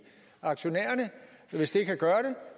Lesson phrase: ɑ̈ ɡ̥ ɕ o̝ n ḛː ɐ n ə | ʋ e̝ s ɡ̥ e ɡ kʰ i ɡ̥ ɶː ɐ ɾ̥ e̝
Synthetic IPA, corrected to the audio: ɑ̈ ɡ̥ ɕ o̝ n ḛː ɐ n ə | ʋ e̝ s d̥ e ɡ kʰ æ ɡ̥ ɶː ɐ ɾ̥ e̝